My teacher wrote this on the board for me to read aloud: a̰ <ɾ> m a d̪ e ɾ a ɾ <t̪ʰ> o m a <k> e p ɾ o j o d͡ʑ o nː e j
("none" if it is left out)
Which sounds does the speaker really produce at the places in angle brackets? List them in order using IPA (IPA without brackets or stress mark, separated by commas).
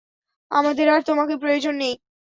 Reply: none, t̪, k